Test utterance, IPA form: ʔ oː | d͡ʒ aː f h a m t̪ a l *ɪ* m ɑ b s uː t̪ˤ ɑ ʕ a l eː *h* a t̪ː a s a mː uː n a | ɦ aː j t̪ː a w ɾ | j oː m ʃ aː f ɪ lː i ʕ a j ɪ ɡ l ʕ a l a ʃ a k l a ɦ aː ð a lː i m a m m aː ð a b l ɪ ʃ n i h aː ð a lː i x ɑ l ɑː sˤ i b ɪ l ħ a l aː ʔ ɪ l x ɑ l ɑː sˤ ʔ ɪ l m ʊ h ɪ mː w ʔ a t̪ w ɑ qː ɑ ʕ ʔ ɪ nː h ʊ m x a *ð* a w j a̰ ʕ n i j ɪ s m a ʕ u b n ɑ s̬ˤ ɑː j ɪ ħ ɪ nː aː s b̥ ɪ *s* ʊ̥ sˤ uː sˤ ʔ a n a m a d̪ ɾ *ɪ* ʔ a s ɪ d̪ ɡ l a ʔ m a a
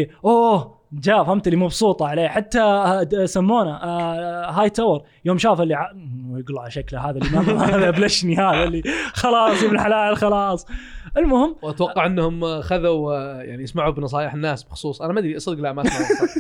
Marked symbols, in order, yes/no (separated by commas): no, no, yes, no, no